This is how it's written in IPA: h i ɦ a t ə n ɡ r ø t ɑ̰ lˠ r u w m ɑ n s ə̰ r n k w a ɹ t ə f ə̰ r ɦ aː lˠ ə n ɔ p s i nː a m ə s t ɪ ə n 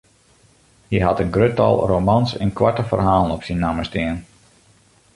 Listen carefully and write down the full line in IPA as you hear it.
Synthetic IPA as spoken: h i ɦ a t ə n ɡ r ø t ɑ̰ lˠ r o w m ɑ n s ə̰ n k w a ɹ t ə f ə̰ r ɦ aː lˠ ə n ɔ p s i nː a m ə s t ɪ ə n